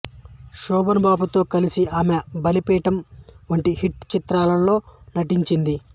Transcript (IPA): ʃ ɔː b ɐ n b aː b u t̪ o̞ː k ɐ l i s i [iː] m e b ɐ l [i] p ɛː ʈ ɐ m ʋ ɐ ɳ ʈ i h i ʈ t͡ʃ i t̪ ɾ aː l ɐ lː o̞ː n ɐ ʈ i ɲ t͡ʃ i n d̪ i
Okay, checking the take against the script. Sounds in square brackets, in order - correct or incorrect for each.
incorrect, correct

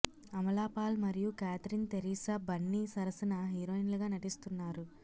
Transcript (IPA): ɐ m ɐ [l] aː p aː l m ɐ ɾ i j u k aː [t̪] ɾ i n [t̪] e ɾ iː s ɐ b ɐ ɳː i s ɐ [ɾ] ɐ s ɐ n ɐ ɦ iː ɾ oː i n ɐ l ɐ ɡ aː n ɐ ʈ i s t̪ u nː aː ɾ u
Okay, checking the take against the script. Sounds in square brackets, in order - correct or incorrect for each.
correct, correct, correct, correct

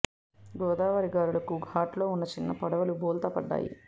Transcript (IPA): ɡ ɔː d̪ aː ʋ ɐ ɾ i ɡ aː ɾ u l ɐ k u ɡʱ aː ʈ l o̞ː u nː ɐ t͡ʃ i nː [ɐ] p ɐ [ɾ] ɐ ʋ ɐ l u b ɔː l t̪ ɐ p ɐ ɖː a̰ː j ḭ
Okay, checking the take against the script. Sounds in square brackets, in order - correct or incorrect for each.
correct, incorrect

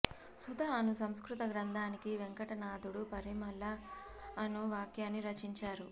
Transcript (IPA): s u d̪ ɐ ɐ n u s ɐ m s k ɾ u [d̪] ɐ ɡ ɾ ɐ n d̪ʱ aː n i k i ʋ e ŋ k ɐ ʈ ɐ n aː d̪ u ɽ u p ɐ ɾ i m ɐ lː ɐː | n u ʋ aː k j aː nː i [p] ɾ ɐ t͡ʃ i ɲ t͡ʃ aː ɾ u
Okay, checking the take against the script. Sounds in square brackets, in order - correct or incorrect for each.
incorrect, incorrect

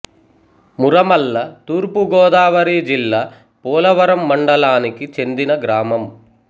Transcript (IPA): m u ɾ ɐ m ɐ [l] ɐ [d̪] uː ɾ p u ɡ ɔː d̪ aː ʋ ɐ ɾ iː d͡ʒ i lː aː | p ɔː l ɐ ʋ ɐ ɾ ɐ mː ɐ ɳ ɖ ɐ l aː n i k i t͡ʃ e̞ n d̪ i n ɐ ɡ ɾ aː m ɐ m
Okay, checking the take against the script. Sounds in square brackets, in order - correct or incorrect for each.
incorrect, incorrect

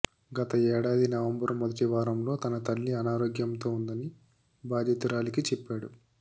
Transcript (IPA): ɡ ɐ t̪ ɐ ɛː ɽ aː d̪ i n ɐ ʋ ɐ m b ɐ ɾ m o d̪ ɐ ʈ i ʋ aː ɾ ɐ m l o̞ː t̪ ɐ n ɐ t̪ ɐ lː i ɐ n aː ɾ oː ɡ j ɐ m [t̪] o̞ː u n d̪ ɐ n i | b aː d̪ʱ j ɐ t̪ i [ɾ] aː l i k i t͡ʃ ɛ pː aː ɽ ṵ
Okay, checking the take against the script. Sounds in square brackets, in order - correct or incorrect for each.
correct, correct

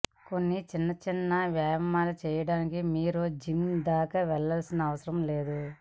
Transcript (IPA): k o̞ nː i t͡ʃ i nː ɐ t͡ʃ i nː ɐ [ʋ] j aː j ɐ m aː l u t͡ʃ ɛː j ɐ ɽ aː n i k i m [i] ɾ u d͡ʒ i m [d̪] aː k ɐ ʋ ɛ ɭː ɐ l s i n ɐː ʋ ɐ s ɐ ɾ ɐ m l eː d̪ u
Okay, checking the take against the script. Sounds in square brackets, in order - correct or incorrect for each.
correct, incorrect, correct

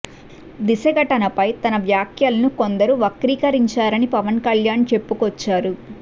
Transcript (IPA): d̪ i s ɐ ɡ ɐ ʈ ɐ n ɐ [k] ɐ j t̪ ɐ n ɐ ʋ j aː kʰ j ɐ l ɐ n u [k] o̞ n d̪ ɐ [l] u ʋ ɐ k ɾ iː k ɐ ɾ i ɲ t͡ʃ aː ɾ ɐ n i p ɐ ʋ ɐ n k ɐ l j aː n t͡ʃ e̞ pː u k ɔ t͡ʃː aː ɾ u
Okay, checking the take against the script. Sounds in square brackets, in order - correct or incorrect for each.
incorrect, correct, incorrect

